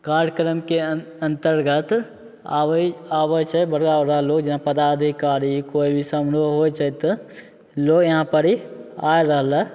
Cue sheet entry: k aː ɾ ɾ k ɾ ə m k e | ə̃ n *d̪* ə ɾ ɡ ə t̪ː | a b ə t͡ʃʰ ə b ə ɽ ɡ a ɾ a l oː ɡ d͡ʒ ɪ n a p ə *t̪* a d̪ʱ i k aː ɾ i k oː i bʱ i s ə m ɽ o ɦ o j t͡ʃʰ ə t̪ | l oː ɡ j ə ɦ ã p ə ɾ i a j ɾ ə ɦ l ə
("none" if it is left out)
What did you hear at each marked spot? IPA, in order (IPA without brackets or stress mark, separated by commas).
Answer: t̪, d̪